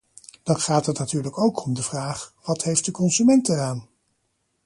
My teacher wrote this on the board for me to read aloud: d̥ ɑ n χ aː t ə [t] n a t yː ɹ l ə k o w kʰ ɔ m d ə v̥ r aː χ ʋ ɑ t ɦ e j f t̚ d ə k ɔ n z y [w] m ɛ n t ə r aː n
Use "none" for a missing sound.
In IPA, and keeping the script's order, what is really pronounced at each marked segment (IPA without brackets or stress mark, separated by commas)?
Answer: t, none